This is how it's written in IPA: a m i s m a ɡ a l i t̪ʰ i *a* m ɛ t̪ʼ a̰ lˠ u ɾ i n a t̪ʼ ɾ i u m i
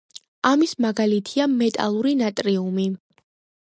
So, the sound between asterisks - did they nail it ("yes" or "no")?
yes